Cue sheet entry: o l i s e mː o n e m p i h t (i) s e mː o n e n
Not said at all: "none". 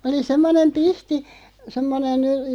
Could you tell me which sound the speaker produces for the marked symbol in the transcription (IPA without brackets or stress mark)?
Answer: i